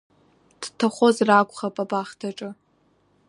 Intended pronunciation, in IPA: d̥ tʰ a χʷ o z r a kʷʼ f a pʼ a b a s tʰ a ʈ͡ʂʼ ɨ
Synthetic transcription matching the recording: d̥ tʰ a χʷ o z r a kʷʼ χ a pʼ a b a χ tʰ a ʈ͡ʂʼ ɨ